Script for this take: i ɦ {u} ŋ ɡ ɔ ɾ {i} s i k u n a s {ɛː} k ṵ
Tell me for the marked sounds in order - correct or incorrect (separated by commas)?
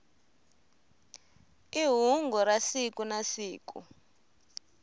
correct, incorrect, incorrect